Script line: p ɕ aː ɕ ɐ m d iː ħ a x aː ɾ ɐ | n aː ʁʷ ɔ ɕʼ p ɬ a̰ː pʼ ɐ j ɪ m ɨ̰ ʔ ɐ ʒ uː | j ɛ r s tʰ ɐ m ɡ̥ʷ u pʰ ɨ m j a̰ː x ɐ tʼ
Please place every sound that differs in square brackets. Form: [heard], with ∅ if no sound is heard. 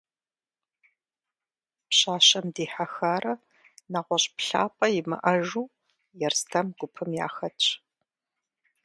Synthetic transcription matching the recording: p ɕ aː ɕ ɐ m d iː ħ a x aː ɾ ɐ | n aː ʁʷ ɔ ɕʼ p ɬ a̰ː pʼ ɐ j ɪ m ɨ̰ ʔ ɐ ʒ uː | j ɛ r s tʰ ɐ m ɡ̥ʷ [ʊ] pʰ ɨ m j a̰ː x ɐ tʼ